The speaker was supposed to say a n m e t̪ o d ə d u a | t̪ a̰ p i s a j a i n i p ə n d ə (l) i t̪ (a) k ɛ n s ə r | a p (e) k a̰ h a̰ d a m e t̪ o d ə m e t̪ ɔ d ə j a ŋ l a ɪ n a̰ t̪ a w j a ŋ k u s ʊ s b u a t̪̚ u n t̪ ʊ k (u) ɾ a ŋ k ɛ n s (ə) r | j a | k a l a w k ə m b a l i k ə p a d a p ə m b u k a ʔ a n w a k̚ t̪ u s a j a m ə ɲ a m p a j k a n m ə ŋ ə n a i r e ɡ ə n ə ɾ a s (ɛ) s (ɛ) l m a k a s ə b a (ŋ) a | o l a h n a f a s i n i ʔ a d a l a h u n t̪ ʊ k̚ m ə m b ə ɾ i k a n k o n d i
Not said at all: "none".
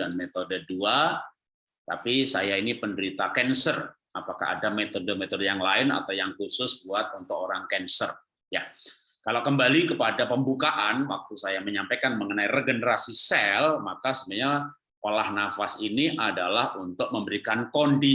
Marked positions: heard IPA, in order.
ɾ, a, a, o, ə, i, ɛ, ɲ

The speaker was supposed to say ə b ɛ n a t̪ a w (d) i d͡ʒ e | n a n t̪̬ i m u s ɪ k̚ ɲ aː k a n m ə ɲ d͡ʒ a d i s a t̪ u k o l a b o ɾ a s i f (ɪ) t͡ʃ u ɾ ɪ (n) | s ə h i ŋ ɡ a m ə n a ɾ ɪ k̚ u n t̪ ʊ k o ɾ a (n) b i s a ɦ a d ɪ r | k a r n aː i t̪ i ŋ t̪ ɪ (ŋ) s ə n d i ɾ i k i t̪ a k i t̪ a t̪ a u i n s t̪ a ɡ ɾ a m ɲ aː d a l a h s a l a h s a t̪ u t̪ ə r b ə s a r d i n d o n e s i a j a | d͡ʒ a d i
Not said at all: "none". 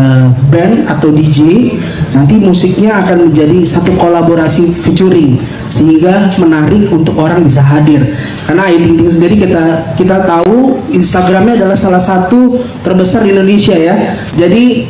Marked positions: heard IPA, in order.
d, i, ŋ, ŋ, ŋ

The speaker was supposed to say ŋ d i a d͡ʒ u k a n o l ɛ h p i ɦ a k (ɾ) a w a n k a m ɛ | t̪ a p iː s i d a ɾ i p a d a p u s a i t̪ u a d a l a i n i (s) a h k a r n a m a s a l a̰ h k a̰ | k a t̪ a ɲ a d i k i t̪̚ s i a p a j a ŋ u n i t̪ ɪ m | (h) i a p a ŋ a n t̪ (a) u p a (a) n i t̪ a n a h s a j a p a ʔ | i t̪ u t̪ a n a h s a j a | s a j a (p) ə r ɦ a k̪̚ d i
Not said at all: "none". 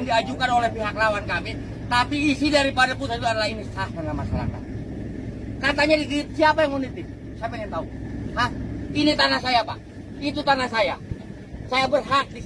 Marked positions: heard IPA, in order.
l, s, s, a, i, b

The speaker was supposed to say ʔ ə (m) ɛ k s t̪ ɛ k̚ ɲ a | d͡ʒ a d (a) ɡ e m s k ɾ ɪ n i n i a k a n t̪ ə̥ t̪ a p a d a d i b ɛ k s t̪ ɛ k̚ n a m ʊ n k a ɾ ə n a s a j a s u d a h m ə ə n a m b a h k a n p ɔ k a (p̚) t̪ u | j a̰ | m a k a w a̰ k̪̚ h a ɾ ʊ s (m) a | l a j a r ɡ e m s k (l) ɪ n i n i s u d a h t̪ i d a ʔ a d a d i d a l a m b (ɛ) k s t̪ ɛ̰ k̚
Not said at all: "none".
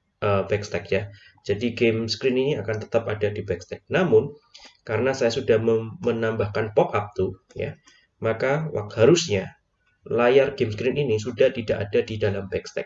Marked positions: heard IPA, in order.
b, i, p̚, ɲ, ɾ, ɛ

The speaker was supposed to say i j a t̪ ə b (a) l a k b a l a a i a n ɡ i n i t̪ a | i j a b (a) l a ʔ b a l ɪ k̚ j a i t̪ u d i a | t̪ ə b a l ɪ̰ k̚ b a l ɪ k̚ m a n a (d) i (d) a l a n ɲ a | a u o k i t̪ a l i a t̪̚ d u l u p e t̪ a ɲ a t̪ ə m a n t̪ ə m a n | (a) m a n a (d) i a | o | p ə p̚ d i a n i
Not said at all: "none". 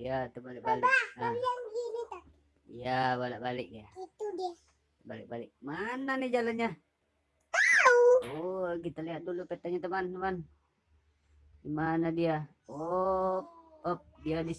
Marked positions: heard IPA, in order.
a, a, n, d͡ʒ, i, d

